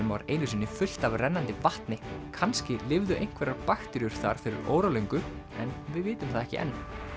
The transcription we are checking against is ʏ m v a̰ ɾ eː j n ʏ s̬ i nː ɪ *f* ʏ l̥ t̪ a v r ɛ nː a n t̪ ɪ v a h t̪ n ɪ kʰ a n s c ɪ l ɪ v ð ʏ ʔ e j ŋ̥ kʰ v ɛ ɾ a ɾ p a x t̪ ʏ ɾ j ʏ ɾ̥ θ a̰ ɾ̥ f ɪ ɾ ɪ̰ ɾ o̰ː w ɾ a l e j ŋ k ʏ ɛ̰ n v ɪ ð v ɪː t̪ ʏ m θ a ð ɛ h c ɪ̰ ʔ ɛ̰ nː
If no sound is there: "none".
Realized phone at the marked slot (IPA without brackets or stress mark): f